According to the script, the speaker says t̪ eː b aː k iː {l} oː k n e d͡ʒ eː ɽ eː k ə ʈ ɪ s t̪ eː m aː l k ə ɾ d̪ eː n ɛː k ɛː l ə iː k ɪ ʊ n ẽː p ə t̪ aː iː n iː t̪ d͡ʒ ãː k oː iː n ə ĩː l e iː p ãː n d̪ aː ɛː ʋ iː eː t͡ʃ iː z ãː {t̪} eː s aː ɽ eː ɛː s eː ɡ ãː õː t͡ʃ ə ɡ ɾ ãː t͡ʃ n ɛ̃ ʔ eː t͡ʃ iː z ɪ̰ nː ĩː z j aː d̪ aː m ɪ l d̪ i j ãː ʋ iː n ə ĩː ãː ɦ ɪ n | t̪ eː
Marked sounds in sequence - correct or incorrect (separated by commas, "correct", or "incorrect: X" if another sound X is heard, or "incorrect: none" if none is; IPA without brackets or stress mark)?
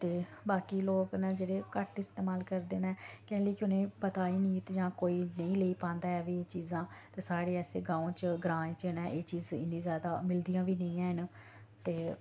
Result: correct, correct